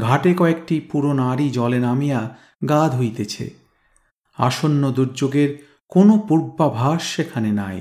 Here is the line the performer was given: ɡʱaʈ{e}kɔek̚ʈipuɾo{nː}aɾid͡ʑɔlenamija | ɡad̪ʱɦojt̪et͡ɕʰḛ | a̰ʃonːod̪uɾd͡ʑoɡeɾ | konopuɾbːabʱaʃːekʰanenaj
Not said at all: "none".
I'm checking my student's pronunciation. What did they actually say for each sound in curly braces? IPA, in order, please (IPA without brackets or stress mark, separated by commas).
e, n